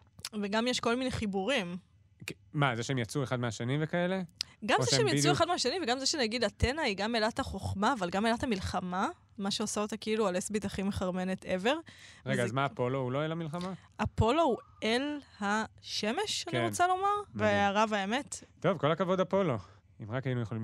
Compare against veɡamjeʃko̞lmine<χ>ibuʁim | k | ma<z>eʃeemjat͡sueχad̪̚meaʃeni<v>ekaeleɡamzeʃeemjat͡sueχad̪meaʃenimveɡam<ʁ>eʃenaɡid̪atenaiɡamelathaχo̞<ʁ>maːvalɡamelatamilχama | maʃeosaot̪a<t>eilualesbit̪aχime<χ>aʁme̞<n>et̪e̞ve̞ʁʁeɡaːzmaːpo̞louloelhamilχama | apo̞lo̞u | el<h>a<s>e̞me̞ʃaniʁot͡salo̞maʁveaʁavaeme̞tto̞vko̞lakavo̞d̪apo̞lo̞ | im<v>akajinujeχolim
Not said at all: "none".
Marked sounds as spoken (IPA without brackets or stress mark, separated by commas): χ, z, v, z, χ, k, χ, n, h, ʃ, ʁ